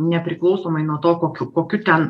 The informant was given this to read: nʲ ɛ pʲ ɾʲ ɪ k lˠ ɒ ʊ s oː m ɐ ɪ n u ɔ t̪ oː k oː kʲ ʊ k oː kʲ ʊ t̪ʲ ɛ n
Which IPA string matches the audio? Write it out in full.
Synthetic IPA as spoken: nʲ ɛ pʲ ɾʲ ɪ k lˠ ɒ ʊ s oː m ɐ ɪ n u ɔ t̪ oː k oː kʲ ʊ k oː kʲ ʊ t̪ʲ ɛ n